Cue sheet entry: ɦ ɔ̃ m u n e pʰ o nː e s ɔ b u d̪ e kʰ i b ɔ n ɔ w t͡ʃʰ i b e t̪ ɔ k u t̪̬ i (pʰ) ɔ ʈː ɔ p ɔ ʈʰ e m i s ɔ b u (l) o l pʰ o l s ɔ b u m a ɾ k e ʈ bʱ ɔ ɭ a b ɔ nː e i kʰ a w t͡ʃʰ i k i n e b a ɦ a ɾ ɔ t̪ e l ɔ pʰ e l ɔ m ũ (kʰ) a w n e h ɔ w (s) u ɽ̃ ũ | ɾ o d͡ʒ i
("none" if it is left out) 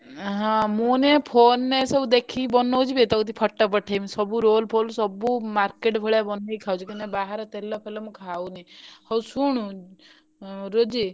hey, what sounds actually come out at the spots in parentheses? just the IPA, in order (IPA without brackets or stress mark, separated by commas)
pʰ, ɾ, kʰ, s